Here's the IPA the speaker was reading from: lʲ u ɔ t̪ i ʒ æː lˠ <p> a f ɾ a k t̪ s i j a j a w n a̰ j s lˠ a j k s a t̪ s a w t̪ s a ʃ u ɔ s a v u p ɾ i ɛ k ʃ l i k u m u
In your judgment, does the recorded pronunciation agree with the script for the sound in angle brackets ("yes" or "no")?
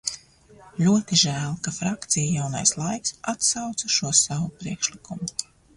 no